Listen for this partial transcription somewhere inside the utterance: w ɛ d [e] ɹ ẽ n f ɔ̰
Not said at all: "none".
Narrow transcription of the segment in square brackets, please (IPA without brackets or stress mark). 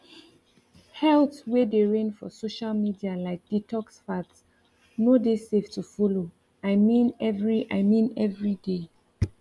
e